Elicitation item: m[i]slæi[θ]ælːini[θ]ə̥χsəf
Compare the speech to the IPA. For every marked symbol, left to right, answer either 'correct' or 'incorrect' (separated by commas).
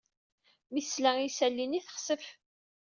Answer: correct, incorrect, correct